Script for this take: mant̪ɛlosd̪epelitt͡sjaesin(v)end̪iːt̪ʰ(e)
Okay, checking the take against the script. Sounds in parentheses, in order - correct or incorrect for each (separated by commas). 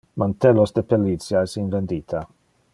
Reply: correct, incorrect